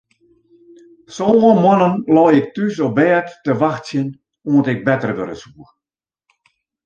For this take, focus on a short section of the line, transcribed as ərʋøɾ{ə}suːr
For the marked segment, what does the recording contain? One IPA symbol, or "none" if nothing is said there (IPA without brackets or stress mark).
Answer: ə